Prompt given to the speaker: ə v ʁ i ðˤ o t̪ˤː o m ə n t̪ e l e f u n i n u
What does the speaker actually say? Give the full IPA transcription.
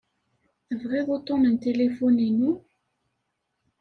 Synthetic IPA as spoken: ə v ʁ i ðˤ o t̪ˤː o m ə n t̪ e l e f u n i n u

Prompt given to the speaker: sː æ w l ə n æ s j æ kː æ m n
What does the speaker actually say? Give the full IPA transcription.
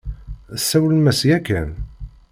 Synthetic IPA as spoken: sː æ w l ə m æ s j æ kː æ n

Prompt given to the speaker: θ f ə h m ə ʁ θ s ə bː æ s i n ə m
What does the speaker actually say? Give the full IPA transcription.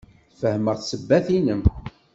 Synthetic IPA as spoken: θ f ə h m ə ʁ θ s ə bː æ θ i n ə m

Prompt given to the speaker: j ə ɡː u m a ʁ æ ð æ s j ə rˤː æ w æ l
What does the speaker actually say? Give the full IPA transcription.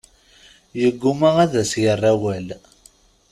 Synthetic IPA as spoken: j ə ɡː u m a ʁ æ ð æ s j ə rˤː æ w æ l

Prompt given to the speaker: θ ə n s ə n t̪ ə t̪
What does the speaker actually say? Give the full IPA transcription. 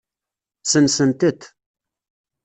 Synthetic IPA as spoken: s ə n s ə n t̪ ə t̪

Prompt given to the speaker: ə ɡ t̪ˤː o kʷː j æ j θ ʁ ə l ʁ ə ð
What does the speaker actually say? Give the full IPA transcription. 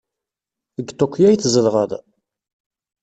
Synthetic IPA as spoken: ə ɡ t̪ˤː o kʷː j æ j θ z ə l ʁ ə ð

